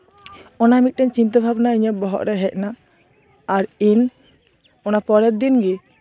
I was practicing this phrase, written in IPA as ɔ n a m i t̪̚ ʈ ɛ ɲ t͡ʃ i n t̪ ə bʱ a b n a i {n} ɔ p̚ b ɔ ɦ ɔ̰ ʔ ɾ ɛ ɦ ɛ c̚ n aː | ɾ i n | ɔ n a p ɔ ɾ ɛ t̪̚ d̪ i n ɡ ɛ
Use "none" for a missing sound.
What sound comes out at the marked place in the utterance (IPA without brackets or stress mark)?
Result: ɲ